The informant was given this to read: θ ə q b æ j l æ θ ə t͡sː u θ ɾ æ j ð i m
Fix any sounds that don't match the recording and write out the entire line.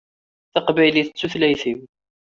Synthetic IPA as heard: θ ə q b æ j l i θ ə t͡sː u θ l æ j θ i m

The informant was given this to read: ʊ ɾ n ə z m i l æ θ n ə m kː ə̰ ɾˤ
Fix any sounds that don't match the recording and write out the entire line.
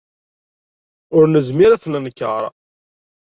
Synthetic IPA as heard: ʊ ɾ n ə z m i ɾ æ θ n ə n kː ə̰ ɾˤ

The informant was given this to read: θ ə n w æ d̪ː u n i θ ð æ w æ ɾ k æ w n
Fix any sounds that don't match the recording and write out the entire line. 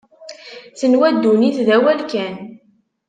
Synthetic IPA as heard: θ ə n w æ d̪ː u n i θ ð æ w æ l k æ n

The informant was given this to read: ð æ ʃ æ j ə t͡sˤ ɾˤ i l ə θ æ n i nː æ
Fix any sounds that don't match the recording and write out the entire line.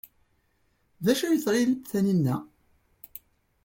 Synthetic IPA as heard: ð æ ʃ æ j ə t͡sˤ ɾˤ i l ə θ æ n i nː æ

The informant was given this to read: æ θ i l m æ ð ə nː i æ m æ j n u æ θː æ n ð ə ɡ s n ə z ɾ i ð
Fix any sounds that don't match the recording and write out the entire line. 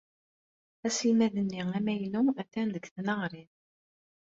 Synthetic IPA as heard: æ s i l m æ ð ə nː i æ m æ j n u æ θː æ n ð ə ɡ θ n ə ʁ ɾ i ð

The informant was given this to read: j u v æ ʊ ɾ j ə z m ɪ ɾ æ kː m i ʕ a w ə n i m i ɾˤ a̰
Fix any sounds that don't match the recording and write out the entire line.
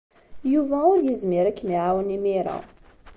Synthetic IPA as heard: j u v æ ʊ ɾ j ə z m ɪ ɾ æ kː m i ʕ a w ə n i m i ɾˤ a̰

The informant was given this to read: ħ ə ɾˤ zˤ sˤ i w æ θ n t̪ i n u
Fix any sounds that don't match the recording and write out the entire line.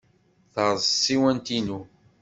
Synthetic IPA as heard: θ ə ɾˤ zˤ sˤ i w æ n t̪ i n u

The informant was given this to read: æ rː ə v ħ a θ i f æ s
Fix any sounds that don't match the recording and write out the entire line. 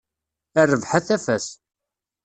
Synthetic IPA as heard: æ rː ə v ħ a θ æ f æ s

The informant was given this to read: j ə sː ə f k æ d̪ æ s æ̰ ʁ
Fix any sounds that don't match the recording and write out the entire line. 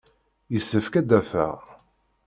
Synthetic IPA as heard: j ə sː ə f k æ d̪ æ f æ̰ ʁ

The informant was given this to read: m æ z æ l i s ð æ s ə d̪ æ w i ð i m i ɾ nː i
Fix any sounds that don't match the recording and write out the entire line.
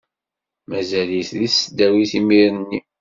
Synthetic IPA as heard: m æ z æ l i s ð i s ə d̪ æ w i θ i m i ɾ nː i

